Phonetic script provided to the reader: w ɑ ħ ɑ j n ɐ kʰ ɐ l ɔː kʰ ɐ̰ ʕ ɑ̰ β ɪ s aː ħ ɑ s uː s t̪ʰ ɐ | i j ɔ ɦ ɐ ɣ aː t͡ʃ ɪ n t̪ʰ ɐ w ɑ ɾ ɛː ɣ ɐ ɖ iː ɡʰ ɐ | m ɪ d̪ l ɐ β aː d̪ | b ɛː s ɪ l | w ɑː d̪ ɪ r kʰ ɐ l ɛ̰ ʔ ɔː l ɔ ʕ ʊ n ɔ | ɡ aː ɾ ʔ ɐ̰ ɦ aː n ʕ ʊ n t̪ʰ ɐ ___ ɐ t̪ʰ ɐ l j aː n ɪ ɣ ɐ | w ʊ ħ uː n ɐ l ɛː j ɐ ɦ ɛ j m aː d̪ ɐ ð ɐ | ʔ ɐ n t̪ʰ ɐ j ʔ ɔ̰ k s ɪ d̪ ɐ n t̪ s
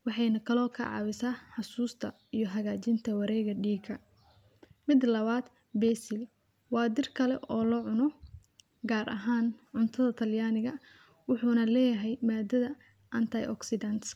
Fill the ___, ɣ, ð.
ð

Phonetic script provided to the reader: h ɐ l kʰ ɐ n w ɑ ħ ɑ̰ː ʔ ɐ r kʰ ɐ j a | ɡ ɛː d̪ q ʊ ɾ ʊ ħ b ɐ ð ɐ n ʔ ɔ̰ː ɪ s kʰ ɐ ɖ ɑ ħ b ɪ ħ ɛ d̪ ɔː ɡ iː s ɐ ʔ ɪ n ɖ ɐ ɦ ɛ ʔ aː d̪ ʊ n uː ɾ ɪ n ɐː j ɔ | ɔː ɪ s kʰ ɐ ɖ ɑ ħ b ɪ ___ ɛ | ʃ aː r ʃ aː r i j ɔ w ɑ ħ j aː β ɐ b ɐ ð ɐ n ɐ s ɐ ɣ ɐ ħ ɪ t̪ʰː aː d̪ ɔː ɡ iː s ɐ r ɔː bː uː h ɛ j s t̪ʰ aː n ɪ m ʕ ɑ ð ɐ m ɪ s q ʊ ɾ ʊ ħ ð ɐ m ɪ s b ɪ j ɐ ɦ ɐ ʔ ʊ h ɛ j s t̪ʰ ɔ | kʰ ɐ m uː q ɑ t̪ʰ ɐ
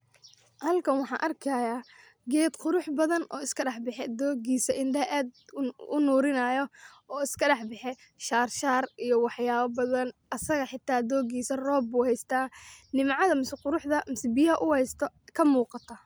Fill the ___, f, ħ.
ħ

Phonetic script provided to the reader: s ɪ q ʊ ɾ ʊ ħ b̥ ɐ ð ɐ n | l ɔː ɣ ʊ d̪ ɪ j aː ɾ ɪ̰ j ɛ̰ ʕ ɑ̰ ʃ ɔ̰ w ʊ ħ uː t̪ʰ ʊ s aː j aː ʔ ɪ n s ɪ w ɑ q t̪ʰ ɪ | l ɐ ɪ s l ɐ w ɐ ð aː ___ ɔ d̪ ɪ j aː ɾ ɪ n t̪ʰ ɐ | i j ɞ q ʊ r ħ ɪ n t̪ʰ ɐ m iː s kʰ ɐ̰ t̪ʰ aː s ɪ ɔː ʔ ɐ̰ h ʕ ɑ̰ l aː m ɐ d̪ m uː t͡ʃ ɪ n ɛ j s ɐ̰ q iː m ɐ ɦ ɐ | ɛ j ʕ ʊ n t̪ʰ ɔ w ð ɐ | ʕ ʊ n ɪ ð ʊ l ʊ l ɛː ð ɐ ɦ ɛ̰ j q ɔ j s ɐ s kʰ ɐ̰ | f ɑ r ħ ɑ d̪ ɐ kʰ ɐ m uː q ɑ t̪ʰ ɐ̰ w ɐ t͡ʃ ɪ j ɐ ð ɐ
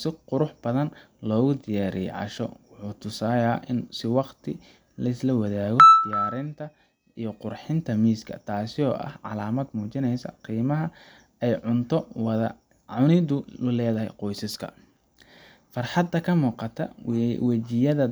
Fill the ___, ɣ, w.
ɣ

